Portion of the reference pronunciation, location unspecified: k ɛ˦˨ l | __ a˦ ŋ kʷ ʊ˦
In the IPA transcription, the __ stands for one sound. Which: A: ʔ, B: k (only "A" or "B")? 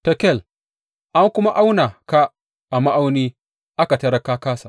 A